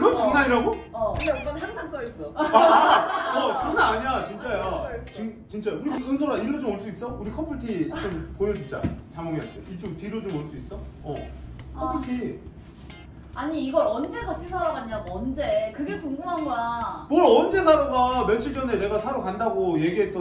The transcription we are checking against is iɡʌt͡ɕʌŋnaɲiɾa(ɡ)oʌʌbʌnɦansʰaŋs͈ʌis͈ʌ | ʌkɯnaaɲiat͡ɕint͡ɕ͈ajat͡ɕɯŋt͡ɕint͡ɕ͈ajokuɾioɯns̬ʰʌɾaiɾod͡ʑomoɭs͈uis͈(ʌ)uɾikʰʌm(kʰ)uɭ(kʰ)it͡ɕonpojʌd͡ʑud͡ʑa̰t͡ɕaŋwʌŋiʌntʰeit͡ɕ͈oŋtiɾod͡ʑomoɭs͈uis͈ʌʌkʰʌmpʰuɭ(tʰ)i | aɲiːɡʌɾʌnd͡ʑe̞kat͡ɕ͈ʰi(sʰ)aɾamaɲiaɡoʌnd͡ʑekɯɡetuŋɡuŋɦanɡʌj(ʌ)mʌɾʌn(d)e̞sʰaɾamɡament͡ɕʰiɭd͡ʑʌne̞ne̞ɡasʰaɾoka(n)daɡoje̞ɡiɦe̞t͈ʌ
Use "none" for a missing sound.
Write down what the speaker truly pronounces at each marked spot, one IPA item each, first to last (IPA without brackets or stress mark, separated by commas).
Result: ɡ, ʌ, pʰ, tʰ, tʰ, sʰ, a, d͡ʑ, n